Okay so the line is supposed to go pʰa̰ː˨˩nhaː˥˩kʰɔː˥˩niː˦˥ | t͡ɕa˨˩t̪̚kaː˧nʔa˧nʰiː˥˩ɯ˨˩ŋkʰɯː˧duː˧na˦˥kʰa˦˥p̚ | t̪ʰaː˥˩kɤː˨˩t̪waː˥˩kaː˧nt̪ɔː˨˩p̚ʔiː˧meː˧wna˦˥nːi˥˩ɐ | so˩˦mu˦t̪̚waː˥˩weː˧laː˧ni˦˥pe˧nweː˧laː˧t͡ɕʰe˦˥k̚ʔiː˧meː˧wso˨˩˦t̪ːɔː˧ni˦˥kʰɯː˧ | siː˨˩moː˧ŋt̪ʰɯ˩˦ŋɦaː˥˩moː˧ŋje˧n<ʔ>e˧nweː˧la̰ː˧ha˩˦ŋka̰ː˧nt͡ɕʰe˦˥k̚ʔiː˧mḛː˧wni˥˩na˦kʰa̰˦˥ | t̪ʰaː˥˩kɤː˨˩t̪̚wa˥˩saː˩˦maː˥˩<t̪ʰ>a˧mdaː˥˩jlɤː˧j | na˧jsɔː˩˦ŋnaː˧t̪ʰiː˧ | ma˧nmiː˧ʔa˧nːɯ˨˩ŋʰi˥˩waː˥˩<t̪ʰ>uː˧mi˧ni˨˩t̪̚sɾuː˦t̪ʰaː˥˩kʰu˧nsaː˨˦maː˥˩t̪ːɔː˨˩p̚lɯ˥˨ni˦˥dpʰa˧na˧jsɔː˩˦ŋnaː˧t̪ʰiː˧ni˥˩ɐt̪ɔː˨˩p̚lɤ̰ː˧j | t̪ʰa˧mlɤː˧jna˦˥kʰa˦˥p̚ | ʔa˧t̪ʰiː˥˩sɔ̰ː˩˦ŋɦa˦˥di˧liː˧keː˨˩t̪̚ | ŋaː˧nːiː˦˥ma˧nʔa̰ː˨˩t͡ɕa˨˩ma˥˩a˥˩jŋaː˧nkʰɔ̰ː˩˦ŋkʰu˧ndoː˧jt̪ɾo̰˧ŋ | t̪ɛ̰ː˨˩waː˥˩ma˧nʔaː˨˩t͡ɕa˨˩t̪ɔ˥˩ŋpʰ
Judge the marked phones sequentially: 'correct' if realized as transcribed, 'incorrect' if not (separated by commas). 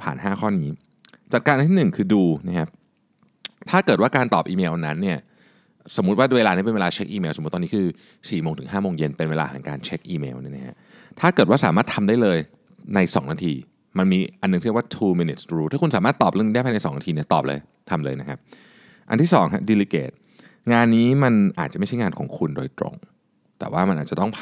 incorrect, correct, correct